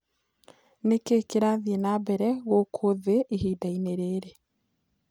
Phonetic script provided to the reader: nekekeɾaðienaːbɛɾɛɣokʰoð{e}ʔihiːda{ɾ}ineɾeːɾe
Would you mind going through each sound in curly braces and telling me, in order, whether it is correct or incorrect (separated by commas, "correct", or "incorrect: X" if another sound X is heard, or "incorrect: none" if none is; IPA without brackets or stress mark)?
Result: correct, incorrect: none